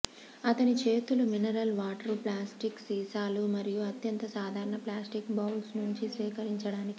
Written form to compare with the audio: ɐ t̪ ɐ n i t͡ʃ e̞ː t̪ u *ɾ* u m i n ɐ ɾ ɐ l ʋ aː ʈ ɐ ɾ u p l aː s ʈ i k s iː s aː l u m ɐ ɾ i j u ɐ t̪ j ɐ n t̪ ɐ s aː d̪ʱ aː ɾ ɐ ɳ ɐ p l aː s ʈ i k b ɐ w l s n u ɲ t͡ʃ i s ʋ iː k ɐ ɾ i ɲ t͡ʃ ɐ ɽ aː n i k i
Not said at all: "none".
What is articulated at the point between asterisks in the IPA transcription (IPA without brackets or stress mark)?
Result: l